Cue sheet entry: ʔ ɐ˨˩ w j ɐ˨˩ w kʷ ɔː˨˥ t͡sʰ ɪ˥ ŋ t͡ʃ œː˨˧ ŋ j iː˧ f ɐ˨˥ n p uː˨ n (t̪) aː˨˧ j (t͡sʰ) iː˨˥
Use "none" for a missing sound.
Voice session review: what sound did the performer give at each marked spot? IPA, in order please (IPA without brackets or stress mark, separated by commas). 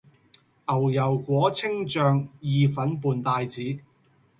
t̪, t͡s